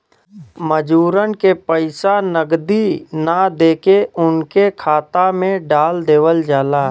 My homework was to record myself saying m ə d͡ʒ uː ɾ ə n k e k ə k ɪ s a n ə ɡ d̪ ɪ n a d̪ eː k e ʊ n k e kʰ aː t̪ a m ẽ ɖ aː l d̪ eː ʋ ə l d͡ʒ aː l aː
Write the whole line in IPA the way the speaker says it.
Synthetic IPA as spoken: m ə d͡ʒ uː ɾ ə n k e p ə ɪ s a n ə ɡ d̪ i n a d̪ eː k e ʊ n k e kʰ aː t̪ a m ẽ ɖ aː l d̪ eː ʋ ə l d͡ʒ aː l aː